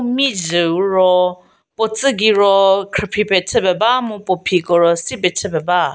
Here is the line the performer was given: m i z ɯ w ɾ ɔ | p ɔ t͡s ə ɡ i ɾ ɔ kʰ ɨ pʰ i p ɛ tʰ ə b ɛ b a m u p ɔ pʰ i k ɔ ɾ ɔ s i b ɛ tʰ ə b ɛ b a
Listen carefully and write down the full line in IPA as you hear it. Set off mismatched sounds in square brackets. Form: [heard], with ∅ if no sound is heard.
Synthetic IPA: m i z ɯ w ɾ ɔ | p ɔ t͡s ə ɡ i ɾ ɔ kʰ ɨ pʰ i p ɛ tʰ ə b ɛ b a m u p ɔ pʰ i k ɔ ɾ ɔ s i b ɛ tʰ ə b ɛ b a